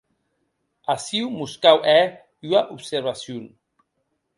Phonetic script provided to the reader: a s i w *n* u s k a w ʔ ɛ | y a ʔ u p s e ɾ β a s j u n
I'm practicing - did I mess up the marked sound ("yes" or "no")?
yes